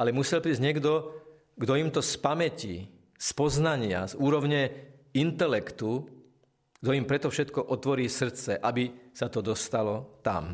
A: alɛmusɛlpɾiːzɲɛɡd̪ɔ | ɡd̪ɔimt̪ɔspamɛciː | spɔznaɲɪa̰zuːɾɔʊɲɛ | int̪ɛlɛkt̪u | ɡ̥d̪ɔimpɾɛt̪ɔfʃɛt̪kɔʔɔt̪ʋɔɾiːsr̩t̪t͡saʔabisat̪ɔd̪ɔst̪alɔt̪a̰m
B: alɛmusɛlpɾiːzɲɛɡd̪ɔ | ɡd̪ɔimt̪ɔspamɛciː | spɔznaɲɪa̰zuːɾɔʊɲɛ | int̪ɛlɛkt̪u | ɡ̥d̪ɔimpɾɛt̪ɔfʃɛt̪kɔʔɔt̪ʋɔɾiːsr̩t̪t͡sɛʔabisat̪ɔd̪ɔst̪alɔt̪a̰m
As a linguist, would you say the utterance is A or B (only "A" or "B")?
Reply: B